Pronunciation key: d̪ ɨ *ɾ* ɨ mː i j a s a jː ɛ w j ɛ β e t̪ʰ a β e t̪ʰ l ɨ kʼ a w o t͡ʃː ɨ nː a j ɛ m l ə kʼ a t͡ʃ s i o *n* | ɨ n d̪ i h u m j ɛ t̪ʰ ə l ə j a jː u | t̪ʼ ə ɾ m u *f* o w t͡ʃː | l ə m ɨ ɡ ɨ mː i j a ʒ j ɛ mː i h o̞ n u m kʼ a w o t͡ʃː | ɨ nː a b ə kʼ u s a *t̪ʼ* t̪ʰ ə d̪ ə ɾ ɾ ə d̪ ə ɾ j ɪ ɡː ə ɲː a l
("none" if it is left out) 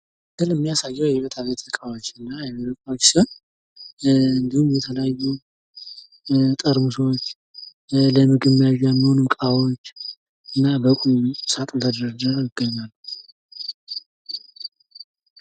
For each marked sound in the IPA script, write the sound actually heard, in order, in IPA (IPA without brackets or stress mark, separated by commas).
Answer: l, n, s, t̪ʼ